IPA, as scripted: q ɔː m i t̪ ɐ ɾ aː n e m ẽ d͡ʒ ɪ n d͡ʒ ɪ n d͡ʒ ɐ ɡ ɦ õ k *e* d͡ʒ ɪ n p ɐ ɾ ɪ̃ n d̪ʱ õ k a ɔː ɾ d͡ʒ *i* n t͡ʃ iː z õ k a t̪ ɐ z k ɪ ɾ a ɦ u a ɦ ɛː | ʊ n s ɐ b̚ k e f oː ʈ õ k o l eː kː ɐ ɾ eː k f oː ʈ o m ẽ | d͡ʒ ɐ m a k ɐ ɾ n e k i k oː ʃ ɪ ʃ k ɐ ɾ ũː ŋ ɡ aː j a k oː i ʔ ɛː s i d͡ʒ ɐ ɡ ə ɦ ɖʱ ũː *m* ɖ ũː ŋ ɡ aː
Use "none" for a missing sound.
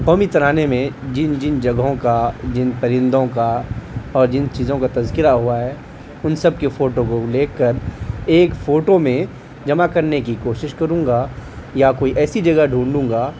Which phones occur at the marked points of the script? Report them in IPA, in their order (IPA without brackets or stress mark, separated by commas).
a, ɪ, ɳ